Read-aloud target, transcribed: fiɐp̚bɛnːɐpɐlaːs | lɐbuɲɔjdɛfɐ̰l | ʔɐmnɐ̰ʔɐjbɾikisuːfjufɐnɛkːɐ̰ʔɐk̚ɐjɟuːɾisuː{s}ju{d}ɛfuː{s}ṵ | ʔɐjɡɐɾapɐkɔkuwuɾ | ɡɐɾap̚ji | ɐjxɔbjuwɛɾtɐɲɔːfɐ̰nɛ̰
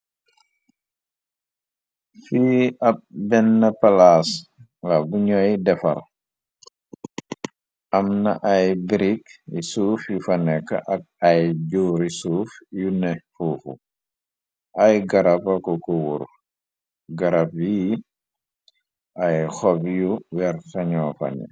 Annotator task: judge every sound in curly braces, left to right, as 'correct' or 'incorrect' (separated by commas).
incorrect, incorrect, incorrect